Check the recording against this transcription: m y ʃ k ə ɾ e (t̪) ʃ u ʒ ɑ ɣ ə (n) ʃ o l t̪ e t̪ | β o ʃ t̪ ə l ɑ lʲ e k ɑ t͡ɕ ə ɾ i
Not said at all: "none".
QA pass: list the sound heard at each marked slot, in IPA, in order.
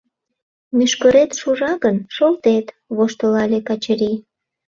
t̪, n

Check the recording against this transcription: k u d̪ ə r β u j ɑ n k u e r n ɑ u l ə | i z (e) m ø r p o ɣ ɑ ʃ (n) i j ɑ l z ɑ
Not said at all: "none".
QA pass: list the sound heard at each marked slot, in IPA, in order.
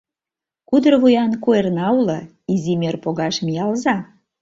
i, m

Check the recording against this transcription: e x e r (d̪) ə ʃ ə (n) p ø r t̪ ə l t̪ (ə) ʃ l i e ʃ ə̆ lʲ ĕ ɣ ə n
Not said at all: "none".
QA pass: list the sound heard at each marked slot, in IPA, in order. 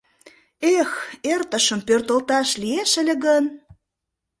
t̪, m, ɑ

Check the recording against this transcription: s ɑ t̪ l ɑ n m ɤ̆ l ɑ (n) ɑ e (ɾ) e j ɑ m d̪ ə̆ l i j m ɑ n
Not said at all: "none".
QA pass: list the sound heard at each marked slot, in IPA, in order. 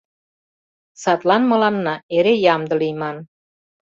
nː, ɾ

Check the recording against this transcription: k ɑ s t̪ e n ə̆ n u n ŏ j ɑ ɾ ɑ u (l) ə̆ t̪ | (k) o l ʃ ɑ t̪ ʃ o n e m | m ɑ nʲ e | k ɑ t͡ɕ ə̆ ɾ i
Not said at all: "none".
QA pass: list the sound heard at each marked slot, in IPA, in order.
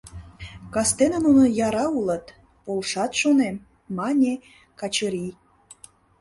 l, p

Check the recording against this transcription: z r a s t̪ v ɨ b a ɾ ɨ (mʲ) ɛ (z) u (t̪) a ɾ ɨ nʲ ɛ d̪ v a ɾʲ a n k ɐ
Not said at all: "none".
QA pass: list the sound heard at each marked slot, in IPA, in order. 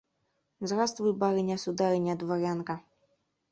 nʲ, s, d̪

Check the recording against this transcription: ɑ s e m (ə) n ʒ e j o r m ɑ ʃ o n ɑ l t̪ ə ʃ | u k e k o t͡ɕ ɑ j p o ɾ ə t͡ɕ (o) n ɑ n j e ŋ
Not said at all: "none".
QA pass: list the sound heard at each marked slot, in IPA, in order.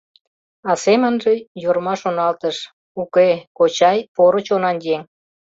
ə, o

